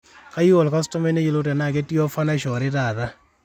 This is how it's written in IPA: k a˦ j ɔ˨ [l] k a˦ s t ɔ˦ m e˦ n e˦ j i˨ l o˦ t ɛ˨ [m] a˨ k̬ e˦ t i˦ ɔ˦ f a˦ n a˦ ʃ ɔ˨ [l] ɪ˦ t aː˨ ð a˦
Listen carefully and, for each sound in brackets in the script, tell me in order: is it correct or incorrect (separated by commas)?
correct, incorrect, incorrect